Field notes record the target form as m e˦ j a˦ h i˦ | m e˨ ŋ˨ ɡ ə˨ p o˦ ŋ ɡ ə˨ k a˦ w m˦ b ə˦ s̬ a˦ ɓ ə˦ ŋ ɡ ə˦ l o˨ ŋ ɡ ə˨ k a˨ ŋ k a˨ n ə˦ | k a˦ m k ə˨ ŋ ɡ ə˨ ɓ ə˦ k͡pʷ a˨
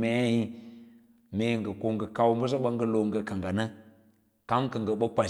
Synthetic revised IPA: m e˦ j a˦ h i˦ | m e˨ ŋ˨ ɡ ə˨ k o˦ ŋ ɡ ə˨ k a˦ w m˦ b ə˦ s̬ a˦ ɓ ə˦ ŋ ɡ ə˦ l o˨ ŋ ɡ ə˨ k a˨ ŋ ɡ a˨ n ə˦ | k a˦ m k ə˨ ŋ ɡ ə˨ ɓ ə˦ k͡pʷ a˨